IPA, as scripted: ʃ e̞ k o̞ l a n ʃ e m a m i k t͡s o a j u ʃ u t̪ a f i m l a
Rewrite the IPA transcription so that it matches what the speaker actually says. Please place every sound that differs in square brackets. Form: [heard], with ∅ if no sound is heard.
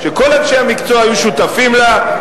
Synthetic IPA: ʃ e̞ k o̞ l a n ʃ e [∅] a m i k t͡s o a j u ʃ u t̪ a f i m l a